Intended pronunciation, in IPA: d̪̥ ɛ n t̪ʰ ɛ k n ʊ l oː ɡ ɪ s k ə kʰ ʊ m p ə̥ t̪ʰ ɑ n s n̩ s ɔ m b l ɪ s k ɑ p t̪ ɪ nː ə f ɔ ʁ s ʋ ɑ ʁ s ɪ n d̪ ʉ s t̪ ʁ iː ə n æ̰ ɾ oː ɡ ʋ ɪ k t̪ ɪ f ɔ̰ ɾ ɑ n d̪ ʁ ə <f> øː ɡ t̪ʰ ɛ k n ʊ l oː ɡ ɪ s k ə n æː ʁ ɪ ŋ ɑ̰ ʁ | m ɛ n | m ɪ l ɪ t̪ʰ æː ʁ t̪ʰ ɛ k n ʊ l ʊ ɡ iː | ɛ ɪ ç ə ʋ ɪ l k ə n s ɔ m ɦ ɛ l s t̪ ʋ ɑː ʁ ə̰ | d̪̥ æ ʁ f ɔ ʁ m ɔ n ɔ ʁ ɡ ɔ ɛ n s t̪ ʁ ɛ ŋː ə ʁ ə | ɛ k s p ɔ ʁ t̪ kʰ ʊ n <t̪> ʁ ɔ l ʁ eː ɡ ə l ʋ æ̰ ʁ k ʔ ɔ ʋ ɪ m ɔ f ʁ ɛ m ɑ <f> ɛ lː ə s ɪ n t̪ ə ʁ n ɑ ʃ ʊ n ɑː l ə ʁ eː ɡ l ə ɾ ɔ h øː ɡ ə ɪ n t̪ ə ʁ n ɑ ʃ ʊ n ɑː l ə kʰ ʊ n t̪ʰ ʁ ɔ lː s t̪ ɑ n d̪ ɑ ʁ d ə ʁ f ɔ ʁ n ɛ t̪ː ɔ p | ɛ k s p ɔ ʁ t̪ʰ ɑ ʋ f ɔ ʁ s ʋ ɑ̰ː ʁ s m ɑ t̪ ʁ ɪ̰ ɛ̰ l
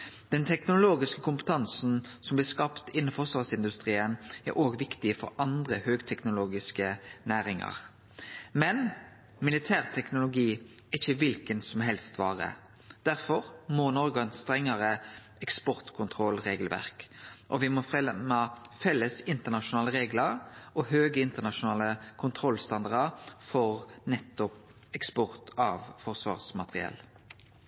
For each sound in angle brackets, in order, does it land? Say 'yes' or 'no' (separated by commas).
no, no, yes